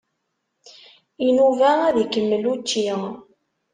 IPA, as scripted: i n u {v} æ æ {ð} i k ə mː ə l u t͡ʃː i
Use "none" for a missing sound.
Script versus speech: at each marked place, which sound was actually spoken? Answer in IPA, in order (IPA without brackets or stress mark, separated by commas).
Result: v, ð